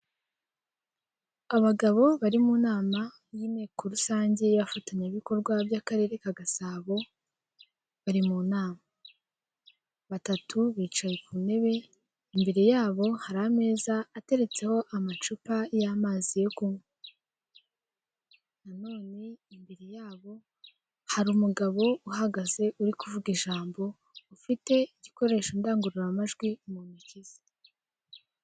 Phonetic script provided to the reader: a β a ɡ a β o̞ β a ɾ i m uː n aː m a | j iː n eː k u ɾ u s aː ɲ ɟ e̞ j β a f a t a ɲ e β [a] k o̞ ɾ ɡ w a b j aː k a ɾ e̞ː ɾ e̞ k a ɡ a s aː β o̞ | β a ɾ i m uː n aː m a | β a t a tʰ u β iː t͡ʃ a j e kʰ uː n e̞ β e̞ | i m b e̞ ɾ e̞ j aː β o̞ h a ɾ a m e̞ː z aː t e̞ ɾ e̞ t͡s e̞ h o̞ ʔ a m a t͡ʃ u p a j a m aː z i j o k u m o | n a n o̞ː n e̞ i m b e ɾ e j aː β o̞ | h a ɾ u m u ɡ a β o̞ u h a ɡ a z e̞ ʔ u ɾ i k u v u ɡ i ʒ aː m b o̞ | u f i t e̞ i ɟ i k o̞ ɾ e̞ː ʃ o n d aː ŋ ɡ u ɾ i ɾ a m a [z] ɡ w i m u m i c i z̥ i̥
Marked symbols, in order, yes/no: no, no

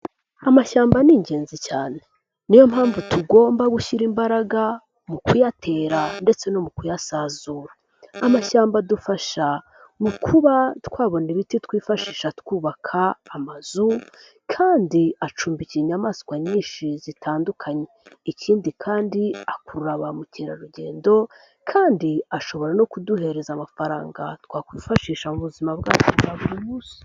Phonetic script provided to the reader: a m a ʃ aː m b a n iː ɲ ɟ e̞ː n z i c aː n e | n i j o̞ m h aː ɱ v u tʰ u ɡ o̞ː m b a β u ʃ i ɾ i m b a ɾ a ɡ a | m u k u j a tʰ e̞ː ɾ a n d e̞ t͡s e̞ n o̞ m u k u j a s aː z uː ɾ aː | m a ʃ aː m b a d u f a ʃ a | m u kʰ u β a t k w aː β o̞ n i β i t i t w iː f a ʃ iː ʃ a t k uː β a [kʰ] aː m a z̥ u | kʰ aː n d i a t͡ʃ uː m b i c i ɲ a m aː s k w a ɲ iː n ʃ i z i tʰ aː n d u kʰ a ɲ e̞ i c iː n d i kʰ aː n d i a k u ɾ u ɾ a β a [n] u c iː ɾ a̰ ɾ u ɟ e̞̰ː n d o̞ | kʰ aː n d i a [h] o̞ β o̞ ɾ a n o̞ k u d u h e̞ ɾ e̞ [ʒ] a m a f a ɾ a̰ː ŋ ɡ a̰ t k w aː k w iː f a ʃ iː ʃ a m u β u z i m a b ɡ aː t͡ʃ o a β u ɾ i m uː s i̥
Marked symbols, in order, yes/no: yes, no, no, no

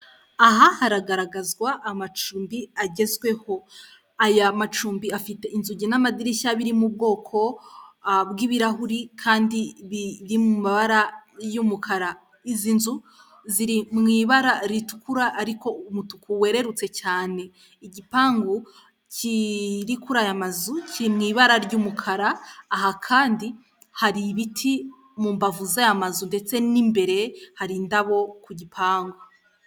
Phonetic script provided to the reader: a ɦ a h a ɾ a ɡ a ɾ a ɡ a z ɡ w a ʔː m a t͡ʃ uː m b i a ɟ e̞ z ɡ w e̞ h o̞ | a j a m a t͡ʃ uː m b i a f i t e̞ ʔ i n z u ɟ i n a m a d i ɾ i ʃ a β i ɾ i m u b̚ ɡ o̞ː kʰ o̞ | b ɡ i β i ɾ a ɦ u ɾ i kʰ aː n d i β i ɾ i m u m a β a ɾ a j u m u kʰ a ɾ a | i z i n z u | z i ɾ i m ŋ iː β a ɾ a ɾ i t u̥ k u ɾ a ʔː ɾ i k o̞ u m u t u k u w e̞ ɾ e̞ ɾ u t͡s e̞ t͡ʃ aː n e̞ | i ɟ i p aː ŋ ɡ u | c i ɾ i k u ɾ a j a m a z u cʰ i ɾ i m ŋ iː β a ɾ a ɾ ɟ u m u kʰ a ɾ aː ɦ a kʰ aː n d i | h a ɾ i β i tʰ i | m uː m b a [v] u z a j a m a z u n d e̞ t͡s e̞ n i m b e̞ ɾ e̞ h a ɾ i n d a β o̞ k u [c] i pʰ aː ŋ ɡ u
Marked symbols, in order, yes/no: yes, no

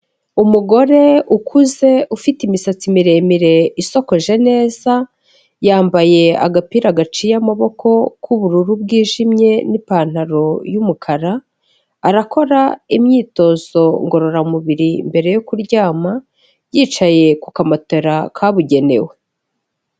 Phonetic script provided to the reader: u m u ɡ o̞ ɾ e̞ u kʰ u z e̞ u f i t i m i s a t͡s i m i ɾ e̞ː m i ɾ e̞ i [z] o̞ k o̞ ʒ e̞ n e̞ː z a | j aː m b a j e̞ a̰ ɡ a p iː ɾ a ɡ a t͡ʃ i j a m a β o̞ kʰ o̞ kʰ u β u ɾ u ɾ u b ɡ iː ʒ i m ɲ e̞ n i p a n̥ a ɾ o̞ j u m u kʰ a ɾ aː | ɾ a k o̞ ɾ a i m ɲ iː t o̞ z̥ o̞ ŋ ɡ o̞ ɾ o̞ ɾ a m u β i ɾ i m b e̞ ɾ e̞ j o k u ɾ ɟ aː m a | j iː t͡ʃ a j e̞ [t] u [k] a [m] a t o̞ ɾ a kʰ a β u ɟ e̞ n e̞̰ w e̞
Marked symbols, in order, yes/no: no, no, yes, yes

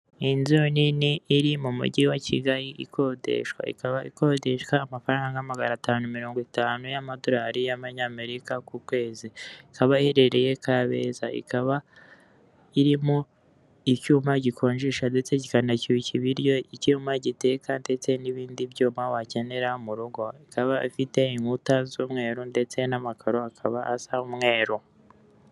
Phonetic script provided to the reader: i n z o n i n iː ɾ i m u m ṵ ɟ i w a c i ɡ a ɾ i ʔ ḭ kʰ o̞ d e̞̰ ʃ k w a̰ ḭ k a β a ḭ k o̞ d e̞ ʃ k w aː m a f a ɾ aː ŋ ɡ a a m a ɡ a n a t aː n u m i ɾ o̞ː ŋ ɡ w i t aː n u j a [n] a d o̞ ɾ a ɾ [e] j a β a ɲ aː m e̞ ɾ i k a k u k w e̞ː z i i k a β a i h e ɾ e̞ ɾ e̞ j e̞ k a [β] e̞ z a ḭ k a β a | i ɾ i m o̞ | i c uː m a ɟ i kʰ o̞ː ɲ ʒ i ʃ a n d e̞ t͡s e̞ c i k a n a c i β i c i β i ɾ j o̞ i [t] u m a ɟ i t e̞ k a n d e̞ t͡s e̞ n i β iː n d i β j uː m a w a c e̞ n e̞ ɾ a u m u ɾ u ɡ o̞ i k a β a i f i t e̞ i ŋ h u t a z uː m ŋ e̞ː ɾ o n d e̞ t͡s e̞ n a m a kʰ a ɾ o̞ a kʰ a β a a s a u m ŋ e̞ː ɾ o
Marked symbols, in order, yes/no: no, no, yes, no

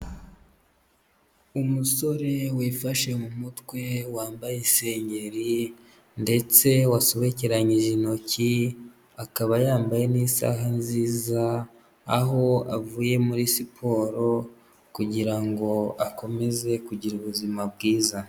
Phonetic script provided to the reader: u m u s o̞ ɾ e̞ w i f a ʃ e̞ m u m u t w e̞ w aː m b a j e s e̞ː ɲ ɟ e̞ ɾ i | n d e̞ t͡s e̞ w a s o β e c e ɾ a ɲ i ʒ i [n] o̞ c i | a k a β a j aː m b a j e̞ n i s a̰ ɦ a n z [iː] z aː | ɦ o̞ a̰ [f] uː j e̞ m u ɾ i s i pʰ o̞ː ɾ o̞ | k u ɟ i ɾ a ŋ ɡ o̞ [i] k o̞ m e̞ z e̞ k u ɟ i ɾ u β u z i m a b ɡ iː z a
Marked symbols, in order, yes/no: yes, yes, no, no

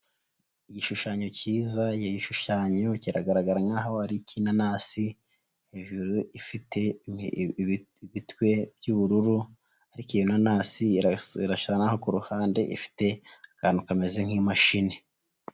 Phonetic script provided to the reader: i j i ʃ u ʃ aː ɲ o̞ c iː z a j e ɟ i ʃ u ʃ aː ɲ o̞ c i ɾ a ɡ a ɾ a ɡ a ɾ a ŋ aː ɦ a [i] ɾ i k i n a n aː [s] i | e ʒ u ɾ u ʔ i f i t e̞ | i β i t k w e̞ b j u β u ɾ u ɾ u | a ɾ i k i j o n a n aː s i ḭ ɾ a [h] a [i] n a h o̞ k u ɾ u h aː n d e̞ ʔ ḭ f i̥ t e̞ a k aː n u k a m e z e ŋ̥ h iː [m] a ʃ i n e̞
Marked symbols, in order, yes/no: no, yes, no, no, yes

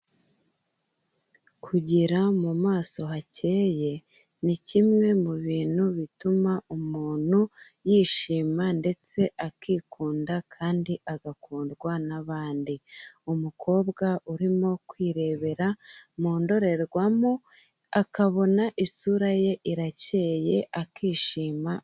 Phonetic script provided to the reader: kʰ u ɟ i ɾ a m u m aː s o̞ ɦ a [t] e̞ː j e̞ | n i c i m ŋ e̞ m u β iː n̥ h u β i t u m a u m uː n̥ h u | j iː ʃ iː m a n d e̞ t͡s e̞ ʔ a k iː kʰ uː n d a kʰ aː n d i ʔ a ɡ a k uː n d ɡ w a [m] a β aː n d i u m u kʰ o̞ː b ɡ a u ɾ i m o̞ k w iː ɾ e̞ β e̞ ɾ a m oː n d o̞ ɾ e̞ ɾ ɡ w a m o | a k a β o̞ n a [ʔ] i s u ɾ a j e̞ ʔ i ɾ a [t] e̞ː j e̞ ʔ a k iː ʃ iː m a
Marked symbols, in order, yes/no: no, no, yes, no

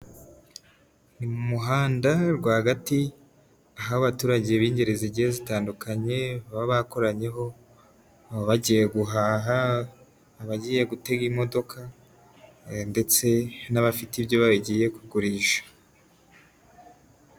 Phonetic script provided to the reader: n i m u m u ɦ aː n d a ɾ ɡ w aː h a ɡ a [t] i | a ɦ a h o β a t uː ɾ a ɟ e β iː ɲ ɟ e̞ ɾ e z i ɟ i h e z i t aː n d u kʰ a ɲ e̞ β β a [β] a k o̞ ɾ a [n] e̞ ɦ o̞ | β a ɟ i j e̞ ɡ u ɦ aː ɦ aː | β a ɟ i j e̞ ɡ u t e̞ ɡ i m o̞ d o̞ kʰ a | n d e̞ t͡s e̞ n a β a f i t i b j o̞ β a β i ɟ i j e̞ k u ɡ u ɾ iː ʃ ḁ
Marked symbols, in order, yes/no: yes, yes, no

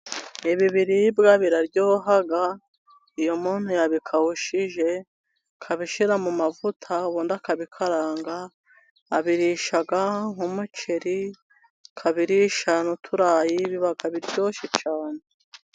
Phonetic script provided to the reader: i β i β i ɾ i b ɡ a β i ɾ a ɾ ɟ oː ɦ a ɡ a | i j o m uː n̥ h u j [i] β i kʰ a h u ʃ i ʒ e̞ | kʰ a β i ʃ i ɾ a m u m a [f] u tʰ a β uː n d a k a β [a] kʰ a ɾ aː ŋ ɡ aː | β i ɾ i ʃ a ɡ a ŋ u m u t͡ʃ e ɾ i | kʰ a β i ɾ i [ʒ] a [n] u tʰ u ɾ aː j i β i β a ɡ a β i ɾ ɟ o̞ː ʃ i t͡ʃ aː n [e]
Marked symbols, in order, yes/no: no, no, no, no, yes, yes

